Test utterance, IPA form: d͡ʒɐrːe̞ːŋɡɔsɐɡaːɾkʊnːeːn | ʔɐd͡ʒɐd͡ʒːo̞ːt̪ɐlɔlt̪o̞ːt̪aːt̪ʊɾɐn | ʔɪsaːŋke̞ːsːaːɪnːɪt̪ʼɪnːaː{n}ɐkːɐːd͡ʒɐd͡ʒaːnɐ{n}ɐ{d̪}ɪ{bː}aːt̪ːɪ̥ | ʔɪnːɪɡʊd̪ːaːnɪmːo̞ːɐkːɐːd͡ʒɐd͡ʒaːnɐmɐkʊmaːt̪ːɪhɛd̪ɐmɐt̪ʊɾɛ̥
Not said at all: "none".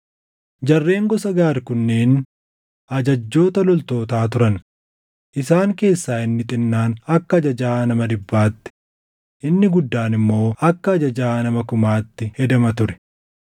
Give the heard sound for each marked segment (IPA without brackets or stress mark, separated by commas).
n, m, d̪, bː